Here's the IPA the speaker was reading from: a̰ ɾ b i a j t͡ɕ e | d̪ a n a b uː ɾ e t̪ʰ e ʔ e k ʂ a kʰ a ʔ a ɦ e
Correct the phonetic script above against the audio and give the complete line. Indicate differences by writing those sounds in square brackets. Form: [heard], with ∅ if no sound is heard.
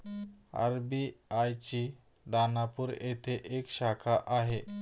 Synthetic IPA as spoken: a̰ ɾ b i a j t͡ɕ [i] | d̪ a n a [p] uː ɾ e t̪ʰ e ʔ e k [ɕ] a kʰ a ʔ a ɦ e